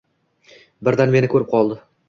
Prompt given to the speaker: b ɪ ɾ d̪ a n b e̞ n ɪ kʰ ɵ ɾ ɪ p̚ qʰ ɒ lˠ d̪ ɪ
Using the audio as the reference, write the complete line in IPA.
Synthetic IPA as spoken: b ɪ ɾ d̪ a n m e̞ n ɪ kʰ ɵ ɾ ɪ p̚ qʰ ɒ lˠ d̪ ɪ